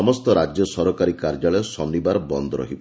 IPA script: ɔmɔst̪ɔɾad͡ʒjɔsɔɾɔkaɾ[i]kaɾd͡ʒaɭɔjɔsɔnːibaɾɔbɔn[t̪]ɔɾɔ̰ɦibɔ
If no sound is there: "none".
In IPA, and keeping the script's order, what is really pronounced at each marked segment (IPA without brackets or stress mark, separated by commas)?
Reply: i, d̪